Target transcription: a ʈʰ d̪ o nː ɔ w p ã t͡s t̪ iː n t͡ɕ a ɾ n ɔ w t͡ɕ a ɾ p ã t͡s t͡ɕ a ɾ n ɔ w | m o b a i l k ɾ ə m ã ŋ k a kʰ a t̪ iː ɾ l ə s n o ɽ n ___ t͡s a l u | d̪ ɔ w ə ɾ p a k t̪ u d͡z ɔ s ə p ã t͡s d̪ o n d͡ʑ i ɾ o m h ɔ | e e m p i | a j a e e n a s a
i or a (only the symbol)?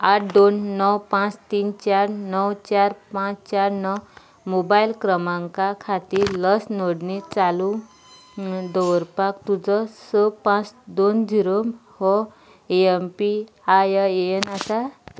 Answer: i